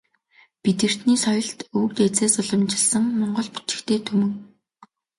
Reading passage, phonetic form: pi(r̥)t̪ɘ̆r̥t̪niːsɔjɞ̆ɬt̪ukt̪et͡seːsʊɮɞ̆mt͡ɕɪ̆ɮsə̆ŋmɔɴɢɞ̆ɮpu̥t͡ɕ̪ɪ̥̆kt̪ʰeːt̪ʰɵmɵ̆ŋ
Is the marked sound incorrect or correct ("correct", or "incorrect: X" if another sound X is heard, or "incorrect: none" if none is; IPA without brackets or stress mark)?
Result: incorrect: none